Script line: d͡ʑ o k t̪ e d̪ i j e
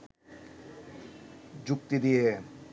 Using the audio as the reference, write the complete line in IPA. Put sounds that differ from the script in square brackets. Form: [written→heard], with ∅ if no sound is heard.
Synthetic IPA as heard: d͡ʑ [o→u] k t̪ [e→i] d̪ i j e